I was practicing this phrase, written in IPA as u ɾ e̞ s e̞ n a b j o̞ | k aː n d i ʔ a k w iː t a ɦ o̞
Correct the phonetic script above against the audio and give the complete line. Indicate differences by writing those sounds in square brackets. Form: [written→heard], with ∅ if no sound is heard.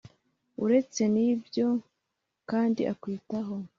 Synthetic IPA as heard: u ɾ e̞ [s→t͡s] e̞ n [a→i] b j o̞ | k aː n d i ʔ a k w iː t a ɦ o̞